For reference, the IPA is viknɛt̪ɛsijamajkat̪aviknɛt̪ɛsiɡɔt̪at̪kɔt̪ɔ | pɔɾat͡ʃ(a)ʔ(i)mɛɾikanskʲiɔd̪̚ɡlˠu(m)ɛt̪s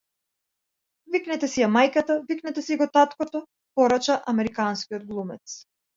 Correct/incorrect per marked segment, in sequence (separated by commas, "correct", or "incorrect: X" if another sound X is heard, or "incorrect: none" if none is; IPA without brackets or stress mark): correct, incorrect: a, correct